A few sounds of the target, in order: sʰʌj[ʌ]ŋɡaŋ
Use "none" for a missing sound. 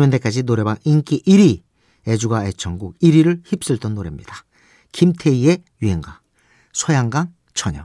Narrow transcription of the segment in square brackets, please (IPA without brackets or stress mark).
a